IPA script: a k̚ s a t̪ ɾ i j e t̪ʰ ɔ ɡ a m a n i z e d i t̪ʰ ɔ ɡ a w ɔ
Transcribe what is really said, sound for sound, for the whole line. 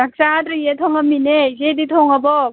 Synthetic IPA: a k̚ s a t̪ ɾ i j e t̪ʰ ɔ ŋ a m i n e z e d i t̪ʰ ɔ ŋ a b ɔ